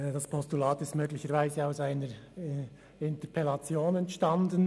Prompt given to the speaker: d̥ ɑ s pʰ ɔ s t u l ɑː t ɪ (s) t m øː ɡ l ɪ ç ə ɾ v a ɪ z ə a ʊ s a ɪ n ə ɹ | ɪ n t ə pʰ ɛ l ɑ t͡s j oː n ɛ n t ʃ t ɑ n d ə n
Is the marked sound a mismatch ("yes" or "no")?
no